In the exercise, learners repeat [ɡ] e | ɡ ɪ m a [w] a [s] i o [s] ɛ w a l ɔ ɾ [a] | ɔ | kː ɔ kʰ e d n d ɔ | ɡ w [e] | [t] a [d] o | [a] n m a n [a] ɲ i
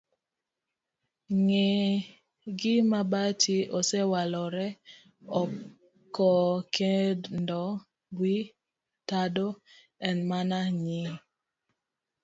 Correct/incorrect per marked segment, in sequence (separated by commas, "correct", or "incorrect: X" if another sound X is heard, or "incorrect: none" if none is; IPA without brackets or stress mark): incorrect: ŋ, incorrect: b, incorrect: t, correct, incorrect: ɛ, incorrect: i, correct, correct, incorrect: ɛ, correct